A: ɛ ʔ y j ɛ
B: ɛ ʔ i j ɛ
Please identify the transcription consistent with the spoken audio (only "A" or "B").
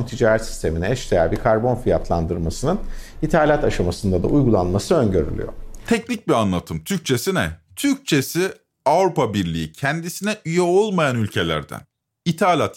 A